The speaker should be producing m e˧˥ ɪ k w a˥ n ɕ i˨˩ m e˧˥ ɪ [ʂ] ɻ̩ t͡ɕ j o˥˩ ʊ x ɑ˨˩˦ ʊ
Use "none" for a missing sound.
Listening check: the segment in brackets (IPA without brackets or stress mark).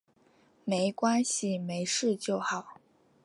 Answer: ʂ